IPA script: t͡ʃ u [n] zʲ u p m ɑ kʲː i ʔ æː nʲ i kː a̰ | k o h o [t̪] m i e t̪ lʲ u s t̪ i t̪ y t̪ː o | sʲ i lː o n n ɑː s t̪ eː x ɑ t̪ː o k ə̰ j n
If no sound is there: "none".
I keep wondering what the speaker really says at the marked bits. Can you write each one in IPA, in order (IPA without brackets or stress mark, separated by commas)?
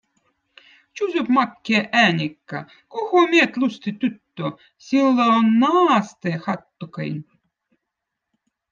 none, none